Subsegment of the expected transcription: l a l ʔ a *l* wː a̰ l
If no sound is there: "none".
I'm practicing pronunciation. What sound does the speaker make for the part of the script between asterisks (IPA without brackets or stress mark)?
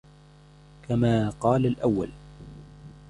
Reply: none